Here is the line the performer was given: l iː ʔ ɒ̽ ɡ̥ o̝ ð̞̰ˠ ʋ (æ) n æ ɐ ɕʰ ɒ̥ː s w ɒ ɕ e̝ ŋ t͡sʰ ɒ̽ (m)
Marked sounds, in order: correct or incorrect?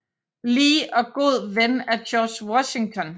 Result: incorrect, incorrect

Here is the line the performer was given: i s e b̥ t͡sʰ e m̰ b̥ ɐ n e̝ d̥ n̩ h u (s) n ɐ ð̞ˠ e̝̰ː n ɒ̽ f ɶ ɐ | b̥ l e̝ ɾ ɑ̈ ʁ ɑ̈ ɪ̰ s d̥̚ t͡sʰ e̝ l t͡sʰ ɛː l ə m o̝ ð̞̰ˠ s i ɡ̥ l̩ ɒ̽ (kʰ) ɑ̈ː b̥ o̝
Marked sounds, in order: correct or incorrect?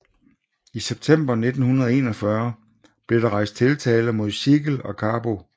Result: incorrect, correct

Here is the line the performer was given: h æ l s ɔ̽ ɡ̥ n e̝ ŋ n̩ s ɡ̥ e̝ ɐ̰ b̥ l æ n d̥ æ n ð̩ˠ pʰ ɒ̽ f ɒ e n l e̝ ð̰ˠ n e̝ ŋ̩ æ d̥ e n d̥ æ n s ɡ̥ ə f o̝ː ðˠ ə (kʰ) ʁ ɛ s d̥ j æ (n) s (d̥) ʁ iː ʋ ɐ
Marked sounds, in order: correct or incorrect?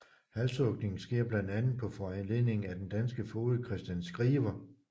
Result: correct, correct, incorrect

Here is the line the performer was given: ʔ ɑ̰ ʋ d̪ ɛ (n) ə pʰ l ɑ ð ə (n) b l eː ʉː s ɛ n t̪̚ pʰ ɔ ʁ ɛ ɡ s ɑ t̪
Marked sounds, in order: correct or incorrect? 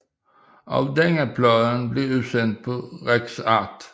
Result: incorrect, correct

